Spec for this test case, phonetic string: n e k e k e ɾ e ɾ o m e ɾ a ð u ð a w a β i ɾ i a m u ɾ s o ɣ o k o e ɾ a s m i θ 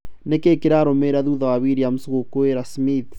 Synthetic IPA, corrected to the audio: n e k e k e ɾ a ɾ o m e ɾ a ð u ð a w a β i ɾ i a m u s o ɣ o k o e ɾ a s m i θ

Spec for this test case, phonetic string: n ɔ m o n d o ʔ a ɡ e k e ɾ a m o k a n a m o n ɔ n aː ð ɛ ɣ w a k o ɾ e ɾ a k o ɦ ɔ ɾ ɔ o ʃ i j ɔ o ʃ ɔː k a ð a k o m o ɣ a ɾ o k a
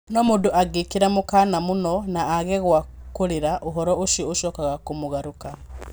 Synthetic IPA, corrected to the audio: n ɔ m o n d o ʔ a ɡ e k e ɾ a m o k a n a m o n ɔ n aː ɣ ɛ ɣ w a k o ɾ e ɾ a ʔ o ɦ ɔ ɾ ɔ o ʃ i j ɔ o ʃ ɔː k a ɣ a k o m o ɣ a ɾ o k a

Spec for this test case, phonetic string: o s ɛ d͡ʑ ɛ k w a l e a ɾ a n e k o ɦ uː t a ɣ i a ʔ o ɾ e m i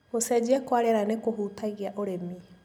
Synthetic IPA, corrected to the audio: o s ɛ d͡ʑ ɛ k w a ɾ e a ɾ a n e k o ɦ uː t a ɣ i a ʔ o ɾ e m i

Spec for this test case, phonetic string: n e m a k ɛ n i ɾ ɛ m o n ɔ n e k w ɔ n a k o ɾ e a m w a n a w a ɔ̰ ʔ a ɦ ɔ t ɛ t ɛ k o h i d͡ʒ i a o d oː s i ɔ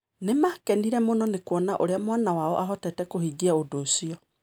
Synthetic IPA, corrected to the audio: n e m a k ɛ n i ɾ ɛ m o n ɔ n e k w ɔ n a ʔ o ɾ e a m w a n a w a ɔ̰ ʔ a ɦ ɔ t ɛ t ɛ k o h i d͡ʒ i a o d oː s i ɔ

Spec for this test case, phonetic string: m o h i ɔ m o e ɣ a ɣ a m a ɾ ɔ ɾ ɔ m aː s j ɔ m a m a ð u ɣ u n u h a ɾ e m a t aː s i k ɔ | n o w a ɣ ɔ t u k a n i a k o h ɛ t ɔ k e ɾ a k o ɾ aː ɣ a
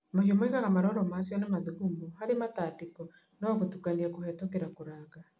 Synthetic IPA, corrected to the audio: m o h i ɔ m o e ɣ a ɣ a m a ɾ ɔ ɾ ɔ m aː s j ɔ n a m a ð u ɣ u m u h a ɾ e m a t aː t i k ɔ | n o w a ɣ o t u k a n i a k o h ɛ t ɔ k e ɾ a k o ɾ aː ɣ a

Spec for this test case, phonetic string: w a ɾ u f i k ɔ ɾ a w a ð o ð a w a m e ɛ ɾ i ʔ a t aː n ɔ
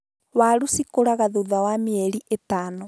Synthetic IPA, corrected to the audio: w a ɾ u s i k o ɾ a ɣ a ð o ð a w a m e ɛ ɾ i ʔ e t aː n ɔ

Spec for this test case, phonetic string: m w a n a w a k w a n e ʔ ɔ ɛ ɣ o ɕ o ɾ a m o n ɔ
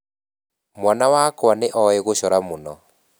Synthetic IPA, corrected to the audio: m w a n a w a k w a n e ʔ ɔ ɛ ɣ o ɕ ɔ ɾ a m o n ɔ

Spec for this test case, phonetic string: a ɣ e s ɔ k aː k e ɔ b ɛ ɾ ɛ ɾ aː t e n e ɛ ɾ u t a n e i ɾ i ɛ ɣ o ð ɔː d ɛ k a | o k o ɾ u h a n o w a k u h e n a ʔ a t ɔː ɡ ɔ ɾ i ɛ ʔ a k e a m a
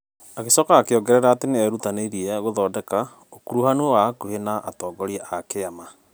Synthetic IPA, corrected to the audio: a ɣ e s ɔ k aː k e ɔ ɡ ɛ ɾ ɛ ɾ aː t e n e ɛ ɾ u t a n e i ɾ i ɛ ɣ o ð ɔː d ɛ k a | o k u ɾ u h a n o w a k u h e n a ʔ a t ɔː ɡ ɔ ɾ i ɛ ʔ a k e a m a

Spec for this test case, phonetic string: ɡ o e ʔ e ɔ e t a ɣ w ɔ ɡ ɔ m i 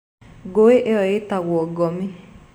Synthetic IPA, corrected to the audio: ɡ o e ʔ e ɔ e t a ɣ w ɔ ɡ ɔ m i

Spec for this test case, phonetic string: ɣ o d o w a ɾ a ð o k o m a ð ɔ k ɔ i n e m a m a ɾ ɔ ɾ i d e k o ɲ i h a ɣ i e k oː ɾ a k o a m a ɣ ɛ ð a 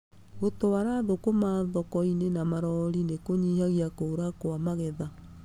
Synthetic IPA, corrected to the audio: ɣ o t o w a ɾ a ð o k o m a ð ɔ k ɔ i n e n a m a ɾ ɔ ɾ i n e k o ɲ i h a ɣ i a k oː ɾ a k o a m a ɣ ɛ ð a

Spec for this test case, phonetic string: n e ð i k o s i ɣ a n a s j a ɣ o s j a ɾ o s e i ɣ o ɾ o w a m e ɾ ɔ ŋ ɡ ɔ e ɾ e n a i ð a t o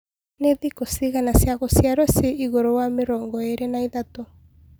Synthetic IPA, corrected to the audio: n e ð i k o s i ɣ a n a s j a ɣ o s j a ɾ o s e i ɣ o ɾ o w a m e ɾ ɔ ŋ ɡ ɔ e ɾ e n a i ð a t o

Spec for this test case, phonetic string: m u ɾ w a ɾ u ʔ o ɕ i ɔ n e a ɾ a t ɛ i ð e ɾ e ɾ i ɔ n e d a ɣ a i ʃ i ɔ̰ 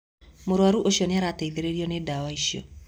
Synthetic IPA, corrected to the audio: m o ɾ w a ɾ u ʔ o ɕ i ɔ n e a ɾ a t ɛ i ð e ɾ e ɾ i ɔ n e d a w a i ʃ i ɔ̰

